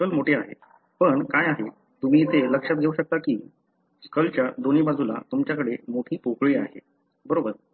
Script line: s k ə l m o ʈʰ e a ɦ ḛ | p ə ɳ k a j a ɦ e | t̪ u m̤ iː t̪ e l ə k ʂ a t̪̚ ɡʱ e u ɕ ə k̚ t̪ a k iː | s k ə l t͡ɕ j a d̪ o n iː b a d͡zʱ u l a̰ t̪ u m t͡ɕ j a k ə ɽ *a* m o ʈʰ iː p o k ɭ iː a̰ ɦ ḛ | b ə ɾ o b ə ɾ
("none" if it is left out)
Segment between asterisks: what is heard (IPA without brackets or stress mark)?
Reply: e